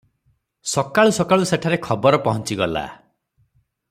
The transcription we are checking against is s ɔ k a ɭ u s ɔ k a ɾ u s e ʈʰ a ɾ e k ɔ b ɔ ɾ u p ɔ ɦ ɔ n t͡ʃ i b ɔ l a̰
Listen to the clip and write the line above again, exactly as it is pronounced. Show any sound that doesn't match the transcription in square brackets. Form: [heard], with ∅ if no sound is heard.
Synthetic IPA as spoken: s ɔ k a ɭ u s ɔ k a [ɭ] u s e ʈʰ a ɾ e [kʰ] ɔ b ɔ ɾ [ɔ] p ɔ ɦ ɔ n t͡ʃ i [ɡ] ɔ l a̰

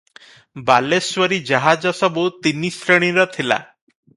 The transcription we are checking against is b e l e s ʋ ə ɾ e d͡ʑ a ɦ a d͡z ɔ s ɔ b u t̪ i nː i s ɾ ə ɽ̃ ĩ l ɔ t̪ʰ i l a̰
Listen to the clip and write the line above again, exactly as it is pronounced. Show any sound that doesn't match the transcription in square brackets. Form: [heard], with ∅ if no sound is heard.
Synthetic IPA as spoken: b [a] l e s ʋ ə ɾ [i] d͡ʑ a ɦ a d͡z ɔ s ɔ b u t̪ i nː i s ɾ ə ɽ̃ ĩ [ɾ] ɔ t̪ʰ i l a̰

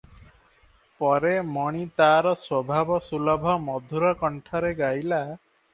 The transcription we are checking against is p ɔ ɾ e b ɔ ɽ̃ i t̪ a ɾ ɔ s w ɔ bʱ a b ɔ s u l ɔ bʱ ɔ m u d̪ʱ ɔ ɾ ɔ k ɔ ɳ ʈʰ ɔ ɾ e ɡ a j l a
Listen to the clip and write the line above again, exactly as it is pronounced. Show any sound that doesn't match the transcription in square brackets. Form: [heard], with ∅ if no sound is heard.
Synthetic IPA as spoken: p ɔ ɾ e [m] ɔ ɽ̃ i t̪ a ɾ ɔ s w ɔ bʱ a b ɔ s u l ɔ bʱ ɔ m [ɔ] d̪ʱ [u] ɾ ɔ k ɔ ɳ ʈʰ ɔ ɾ e ɡ a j l a

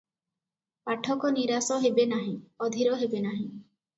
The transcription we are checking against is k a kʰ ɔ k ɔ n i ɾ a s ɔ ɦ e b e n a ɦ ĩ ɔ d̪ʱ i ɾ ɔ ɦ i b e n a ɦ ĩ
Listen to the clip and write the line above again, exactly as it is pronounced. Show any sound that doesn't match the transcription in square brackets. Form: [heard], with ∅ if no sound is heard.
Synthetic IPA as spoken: [p] a [ʈʰ] ɔ k ɔ n i ɾ a s ɔ ɦ e b e n a ɦ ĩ ɔ d̪ʱ i ɾ ɔ ɦ [e] b e n a ɦ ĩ

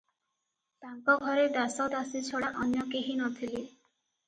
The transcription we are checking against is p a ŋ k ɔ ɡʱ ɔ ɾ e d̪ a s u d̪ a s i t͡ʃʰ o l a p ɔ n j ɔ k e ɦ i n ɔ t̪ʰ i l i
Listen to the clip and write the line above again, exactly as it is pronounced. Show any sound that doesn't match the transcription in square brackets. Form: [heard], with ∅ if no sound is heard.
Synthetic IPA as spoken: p a ŋ k ɔ ɡʱ ɔ ɾ e d̪ a s [ɔ] d̪ a s i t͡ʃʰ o [ɽ] a [ʔ] ɔ n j ɔ k e ɦ i n ɔ t̪ʰ i l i

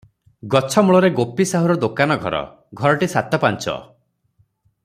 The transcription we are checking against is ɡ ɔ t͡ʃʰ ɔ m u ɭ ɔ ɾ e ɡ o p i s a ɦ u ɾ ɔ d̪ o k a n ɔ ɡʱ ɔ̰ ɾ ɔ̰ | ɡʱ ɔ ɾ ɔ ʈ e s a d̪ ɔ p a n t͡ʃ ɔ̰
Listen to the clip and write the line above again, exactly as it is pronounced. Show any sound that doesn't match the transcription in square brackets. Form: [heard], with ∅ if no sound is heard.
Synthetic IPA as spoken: ɡ ɔ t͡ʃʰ ɔ m u ɭ ɔ ɾ e ɡ o p i s a ɦ u ɾ ɔ d̪ o k a n ɔ ɡʱ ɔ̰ ɾ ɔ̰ | ɡʱ ɔ ɾ ɔ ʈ [i] s a [t̪] ɔ p a n t͡ʃ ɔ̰

